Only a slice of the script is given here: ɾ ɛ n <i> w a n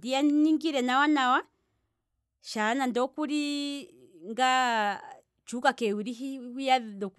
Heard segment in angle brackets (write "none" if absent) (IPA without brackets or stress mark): a